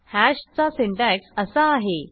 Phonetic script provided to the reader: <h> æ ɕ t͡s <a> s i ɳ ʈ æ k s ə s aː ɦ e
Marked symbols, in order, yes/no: yes, yes

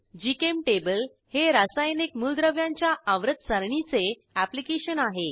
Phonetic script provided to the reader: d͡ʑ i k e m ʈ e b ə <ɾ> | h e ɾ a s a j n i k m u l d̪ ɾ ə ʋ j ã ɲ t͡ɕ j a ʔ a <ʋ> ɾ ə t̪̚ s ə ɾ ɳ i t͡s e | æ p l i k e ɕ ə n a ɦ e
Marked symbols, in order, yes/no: no, yes

